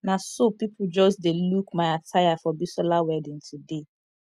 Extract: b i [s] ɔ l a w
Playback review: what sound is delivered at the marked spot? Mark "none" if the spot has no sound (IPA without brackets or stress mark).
s